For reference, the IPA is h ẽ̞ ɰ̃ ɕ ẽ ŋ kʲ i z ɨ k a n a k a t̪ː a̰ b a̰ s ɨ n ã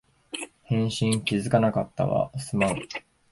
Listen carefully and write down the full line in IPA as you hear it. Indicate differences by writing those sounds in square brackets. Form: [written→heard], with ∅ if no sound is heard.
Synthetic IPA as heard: h ẽ̞ ɰ̃ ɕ [ẽ→ĩ] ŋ kʲ i z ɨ k a n a k a t̪ː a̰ [b→β] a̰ s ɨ [n→m] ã